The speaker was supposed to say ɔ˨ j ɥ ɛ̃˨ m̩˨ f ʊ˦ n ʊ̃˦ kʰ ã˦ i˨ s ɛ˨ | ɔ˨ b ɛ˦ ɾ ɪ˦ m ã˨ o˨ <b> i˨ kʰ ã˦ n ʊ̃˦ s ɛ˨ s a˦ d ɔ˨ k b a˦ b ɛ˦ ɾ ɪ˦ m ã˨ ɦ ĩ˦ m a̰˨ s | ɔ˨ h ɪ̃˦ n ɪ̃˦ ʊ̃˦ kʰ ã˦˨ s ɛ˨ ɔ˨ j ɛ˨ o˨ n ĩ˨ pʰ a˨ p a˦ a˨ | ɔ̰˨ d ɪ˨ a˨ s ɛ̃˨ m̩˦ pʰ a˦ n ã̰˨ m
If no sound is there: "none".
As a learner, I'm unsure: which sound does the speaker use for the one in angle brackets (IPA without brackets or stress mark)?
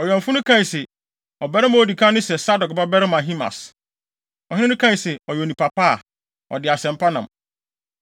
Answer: d